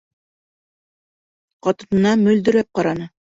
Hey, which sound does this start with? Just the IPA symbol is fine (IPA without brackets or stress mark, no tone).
q